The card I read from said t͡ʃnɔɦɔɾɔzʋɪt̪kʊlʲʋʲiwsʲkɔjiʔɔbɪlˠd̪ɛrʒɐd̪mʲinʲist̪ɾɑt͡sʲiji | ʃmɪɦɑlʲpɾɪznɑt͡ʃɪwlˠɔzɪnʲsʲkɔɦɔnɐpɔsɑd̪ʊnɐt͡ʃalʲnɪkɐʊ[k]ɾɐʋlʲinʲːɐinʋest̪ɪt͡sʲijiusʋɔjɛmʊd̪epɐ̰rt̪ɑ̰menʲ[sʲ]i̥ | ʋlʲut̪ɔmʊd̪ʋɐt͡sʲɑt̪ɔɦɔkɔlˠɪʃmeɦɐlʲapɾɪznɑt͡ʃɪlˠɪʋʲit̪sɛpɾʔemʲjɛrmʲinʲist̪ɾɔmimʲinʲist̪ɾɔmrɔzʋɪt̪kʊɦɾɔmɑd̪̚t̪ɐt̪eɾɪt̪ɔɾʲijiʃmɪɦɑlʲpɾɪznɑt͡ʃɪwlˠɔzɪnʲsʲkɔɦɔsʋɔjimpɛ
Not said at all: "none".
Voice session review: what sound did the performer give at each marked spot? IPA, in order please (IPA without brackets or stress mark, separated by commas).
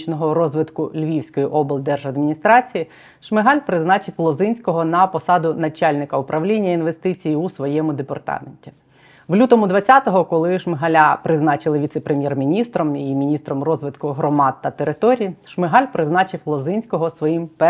p, tʲ